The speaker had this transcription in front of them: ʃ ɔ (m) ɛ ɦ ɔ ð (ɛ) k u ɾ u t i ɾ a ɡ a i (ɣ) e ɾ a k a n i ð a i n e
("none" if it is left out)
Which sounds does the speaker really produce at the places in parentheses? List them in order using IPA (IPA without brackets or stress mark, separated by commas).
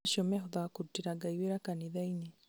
m, a, w